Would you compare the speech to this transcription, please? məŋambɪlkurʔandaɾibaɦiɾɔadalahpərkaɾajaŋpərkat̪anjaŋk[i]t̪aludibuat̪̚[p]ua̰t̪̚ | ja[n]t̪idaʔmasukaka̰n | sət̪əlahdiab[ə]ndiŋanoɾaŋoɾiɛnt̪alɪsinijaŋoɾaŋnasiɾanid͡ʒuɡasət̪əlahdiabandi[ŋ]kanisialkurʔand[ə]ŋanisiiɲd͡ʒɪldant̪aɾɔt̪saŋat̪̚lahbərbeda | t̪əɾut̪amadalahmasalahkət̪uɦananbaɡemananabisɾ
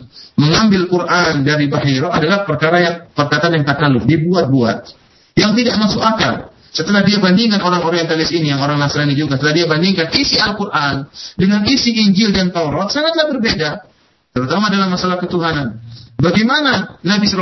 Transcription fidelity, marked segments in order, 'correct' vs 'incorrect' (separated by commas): incorrect, incorrect, incorrect, incorrect, correct, correct